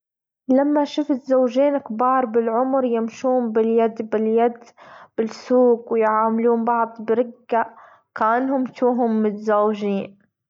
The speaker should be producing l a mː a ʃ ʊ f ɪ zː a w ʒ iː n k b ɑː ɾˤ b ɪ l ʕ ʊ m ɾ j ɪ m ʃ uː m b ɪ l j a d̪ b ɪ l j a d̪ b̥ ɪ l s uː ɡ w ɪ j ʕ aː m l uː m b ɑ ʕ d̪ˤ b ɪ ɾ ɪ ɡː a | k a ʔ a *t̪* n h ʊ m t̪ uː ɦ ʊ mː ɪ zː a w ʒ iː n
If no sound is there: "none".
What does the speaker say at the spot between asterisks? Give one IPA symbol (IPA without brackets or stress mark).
none